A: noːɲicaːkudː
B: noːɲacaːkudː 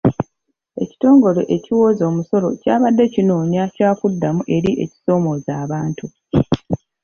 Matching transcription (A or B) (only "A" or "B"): B